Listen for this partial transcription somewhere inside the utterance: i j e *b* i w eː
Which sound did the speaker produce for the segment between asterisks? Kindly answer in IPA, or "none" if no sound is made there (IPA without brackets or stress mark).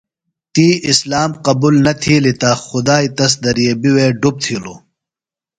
b